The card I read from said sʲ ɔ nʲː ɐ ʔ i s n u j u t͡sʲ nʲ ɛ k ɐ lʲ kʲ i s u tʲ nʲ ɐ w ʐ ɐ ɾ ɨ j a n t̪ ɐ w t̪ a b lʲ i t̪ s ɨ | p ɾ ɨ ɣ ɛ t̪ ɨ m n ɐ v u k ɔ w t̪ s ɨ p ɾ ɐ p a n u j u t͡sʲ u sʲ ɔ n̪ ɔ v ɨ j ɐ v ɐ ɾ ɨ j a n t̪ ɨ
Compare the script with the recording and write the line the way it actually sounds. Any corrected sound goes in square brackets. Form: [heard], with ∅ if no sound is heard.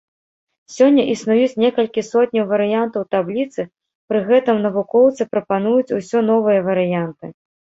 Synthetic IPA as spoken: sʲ ɔ nʲː ɐ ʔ i s n u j u t͡sʲ nʲ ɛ k ɐ lʲ kʲ i s [ɔ] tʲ nʲ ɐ w [v] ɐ ɾ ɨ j a n t̪ ɐ w t̪ a b lʲ i t̪ s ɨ | p ɾ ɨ ɣ ɛ t̪ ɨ m n ɐ v u k ɔ w t̪ s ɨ p ɾ ɐ p a n u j u t͡sʲ u sʲ ɔ n̪ ɔ v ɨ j ɐ v ɐ ɾ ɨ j a n t̪ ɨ